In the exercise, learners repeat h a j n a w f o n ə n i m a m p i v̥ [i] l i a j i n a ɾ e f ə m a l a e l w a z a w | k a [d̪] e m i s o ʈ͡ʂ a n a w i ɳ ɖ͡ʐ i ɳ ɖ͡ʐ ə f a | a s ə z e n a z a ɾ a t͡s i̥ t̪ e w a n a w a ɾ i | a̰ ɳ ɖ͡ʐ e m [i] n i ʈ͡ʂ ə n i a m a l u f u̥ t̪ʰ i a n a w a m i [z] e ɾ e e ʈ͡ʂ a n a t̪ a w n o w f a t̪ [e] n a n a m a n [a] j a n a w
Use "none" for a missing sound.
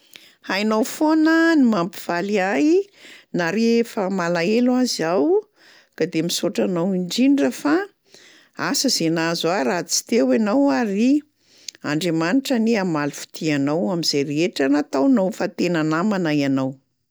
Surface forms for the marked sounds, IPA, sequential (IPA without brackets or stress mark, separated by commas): a, d̪, a, z, e, a